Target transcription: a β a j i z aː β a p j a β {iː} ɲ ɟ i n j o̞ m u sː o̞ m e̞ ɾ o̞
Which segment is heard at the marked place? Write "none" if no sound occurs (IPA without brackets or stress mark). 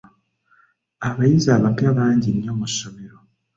aː